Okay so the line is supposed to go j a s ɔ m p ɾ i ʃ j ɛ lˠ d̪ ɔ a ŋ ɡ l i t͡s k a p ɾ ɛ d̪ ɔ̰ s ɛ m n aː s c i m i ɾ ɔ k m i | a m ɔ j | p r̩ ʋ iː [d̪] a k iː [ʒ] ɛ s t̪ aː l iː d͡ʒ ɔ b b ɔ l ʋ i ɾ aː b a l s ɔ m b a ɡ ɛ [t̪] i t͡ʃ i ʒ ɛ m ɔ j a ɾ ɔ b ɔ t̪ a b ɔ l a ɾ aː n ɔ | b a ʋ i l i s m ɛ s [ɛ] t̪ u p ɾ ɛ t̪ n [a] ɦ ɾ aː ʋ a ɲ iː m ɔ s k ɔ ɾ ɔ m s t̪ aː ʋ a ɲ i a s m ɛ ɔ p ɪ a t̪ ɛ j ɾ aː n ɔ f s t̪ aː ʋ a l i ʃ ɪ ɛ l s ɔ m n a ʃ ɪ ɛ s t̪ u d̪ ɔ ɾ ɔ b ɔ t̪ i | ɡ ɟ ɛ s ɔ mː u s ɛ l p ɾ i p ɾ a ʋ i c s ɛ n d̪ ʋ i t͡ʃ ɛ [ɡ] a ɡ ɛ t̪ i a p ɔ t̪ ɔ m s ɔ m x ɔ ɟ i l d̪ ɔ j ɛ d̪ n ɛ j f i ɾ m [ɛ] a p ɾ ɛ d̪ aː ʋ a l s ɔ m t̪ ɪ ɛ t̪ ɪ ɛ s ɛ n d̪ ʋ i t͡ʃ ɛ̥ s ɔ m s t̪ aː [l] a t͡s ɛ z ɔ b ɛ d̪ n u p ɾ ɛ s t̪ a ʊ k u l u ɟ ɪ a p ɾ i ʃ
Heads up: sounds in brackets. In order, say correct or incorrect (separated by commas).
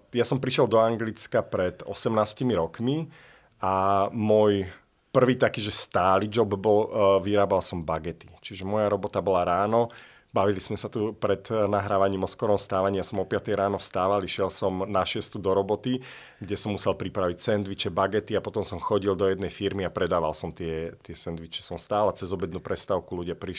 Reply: incorrect, correct, correct, incorrect, correct, incorrect, incorrect, correct